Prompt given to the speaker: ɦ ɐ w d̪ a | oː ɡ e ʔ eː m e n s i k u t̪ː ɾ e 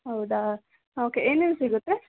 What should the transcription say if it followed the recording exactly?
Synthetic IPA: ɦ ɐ w d̪ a | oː k e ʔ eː n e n s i ɡ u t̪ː ɾ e

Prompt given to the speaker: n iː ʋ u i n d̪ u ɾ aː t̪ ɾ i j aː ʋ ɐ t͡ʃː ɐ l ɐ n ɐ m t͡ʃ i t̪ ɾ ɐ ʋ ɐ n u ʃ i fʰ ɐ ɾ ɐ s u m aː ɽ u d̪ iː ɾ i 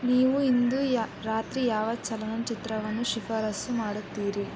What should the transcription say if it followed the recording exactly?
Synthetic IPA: n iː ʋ u i n d̪ u ɾ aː t̪ ɾ i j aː ʋ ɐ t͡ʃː ɐ l ɐ n ɐ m t͡ʃ i t̪ ɾ ɐ ʋ ɐ n u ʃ i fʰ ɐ ɾ ɐ s u m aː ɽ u t̪ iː ɾ i

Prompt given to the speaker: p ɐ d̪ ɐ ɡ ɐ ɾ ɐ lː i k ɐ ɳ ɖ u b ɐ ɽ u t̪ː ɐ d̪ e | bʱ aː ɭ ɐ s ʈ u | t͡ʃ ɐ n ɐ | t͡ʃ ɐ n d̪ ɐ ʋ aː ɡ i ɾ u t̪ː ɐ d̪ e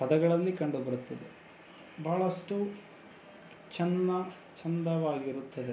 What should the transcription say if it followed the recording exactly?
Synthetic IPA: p ɐ d̪ ɐ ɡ ɐ ɭ ɐ lː i k ɐ ɳ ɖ u b ɐ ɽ u t̪ː ɐ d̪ e | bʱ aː ɭ ɐ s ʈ u | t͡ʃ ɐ n ɐ | t͡ʃ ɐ n d̪ ɐ ʋ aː ɡ i ɾ u t̪ː ɐ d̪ e

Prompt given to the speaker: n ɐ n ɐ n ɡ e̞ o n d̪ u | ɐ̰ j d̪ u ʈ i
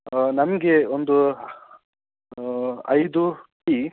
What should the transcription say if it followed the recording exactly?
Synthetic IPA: n ɐ m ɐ ɡ e̞ o n d̪ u | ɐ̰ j d̪ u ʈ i

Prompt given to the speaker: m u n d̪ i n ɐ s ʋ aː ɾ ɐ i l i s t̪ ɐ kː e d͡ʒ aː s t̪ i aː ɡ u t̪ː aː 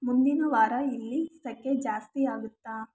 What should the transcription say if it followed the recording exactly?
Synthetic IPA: m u n d̪ i n ɐ ʋ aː ɾ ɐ i lː i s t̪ ɐ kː e d͡ʒ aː s t̪ i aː ɡ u t̪ː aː

